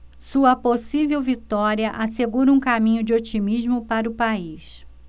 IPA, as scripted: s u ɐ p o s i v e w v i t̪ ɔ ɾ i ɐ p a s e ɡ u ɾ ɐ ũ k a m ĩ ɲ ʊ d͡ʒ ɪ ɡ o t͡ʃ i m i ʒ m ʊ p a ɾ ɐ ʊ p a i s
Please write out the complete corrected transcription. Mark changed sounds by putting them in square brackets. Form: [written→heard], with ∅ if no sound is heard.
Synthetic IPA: s u ɐ p o s i v e w v i t̪ ɔ ɾ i ɐ [p→ʔ] a s e ɡ u ɾ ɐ ũ k a m ĩ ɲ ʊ d͡ʒ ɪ [ɡ→∅] o t͡ʃ i m i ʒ m ʊ p a ɾ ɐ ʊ p a i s